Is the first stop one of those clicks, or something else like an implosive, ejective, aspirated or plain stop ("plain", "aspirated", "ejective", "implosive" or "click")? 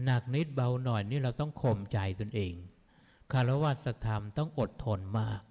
plain